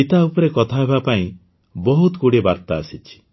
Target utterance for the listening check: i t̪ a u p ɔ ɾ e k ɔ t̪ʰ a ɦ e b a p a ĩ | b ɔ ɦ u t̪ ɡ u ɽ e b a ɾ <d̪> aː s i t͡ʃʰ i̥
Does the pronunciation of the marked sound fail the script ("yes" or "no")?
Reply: yes